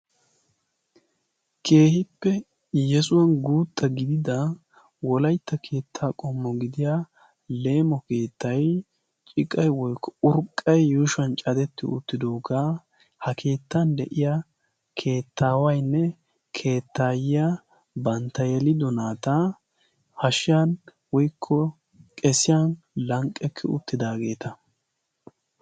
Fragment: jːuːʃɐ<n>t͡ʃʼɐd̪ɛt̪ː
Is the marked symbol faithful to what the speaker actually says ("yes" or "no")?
yes